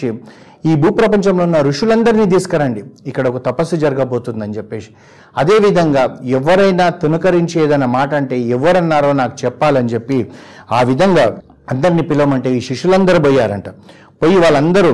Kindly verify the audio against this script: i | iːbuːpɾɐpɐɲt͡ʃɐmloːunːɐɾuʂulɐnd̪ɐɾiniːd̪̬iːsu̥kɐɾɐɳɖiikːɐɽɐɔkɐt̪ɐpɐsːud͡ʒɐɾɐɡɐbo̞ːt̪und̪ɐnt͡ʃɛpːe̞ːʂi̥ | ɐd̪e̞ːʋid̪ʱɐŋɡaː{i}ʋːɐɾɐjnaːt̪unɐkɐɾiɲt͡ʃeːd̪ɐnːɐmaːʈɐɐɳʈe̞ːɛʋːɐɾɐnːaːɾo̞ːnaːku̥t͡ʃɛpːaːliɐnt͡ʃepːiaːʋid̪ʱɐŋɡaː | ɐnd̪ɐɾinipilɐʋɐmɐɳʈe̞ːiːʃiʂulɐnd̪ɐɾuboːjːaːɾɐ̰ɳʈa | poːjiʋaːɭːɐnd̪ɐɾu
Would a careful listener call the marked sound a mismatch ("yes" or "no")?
yes